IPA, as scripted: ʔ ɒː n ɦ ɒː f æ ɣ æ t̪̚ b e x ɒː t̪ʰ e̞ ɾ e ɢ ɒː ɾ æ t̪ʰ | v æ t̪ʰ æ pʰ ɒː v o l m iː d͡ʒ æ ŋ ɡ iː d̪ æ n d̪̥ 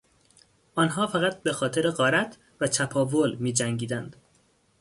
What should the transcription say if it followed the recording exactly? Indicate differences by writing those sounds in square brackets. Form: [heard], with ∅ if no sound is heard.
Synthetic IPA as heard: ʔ ɒː n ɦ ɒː f æ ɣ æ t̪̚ b e x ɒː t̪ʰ e̞ ɾ e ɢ ɒː ɾ æ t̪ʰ | v æ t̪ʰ æ pʰ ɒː v o l m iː d͡ʒ æ ŋ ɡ iː d̪ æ n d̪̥